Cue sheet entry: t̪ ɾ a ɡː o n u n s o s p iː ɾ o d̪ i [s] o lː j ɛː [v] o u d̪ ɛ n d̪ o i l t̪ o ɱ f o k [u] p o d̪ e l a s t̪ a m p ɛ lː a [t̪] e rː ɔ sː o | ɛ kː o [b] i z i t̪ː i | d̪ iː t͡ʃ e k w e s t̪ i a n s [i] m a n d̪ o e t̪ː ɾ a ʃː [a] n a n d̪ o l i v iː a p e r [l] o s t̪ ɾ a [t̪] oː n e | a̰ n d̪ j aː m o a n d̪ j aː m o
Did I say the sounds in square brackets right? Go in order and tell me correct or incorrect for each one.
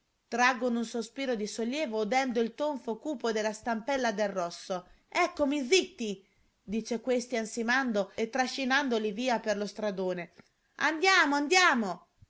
correct, correct, incorrect: uː, incorrect: d̪, incorrect: m, correct, incorrect: i, correct, incorrect: d̪

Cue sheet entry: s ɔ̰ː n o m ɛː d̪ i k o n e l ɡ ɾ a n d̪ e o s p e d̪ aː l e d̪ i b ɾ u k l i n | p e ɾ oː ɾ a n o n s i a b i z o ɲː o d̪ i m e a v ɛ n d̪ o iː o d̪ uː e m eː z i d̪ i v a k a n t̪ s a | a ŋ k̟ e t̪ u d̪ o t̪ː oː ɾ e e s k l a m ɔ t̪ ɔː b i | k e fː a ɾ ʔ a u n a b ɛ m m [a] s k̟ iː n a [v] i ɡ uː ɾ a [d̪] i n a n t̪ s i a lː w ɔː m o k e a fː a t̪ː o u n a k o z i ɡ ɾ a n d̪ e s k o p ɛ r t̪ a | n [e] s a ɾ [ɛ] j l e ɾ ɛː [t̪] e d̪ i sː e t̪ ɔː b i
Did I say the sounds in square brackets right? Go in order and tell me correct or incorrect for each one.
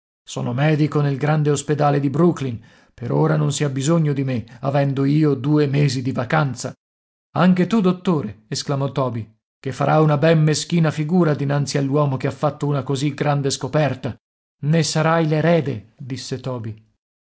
incorrect: e, incorrect: f, correct, correct, incorrect: a, incorrect: d̪

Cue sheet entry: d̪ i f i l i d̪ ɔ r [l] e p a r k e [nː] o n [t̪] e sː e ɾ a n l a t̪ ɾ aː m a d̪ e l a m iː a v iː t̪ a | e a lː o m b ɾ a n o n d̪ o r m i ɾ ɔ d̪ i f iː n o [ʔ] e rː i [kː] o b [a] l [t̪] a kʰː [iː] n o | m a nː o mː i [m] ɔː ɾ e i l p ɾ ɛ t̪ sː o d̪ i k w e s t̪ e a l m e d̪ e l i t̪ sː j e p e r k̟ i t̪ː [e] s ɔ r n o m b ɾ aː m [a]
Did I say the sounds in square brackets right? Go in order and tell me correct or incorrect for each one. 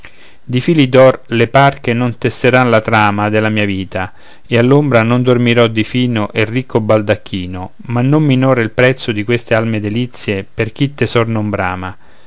correct, incorrect: n, correct, correct, correct, correct, incorrect: d̪, correct, incorrect: n, correct, correct

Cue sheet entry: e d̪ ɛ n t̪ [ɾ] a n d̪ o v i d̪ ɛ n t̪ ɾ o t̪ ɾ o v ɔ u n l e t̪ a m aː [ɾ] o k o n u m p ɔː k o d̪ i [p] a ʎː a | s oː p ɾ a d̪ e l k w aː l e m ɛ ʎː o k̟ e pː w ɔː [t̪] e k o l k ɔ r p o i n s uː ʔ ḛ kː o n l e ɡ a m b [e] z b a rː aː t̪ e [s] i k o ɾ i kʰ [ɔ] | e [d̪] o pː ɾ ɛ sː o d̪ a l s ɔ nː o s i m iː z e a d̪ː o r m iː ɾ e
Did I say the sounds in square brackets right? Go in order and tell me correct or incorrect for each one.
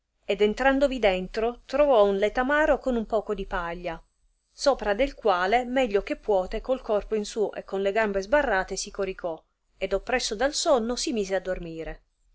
correct, correct, correct, correct, correct, correct, correct, correct

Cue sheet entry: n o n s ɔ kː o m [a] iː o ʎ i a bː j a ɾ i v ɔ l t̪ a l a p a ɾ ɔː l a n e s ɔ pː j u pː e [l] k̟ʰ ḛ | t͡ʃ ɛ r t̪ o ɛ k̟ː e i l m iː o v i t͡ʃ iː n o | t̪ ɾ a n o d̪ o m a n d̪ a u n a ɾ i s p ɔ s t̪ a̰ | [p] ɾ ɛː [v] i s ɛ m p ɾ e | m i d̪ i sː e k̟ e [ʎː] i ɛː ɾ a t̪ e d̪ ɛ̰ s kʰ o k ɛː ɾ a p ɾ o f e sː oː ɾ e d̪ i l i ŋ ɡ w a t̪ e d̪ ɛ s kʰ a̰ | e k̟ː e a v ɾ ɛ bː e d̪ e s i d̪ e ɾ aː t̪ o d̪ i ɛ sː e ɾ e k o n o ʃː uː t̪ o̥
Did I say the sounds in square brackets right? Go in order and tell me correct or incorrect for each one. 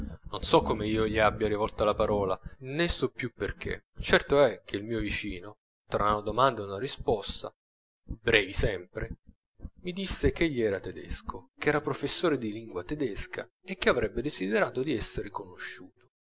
incorrect: e, incorrect: r, incorrect: b, correct, correct

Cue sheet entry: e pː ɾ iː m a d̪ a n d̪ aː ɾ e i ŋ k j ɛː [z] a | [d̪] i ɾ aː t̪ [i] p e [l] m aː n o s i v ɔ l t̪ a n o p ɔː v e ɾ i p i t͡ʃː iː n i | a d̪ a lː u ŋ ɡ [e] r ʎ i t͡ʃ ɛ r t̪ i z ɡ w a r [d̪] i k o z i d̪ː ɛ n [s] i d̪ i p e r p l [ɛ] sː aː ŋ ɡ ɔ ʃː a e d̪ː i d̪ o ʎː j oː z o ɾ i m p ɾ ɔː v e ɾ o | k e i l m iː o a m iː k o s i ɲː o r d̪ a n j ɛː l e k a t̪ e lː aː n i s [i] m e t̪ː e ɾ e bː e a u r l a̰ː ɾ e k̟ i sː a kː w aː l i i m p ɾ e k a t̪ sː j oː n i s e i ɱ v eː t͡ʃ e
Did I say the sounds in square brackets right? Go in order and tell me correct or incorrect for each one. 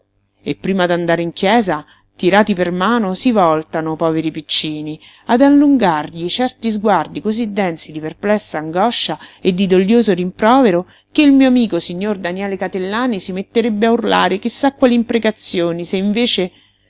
correct, incorrect: t̪, correct, incorrect: r, incorrect: a, correct, correct, correct, correct

